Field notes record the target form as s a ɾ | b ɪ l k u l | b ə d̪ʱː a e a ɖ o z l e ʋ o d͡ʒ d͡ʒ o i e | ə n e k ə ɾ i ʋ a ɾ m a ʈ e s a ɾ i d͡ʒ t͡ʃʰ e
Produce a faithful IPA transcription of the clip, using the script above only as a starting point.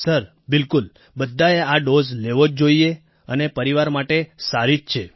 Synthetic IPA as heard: s ə ɾ | b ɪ l k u l | b ə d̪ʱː a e a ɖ o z l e ʋ o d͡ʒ d͡ʒ o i e | ə n e p ə ɾ i ʋ a ɾ m a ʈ e s a ɾ i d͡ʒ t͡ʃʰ e